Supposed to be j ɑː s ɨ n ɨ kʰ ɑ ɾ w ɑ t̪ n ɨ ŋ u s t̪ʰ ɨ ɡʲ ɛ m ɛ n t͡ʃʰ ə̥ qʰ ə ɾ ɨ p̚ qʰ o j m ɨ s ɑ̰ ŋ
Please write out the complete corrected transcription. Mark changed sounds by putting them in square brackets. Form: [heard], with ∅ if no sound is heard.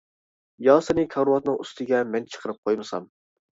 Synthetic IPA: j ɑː s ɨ n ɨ kʰ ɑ ɾ w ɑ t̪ n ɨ ŋ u s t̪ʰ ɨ ɡʲ ɛ m ɛ n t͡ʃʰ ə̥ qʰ ə ɾ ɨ p̚ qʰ o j m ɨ s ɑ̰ [m]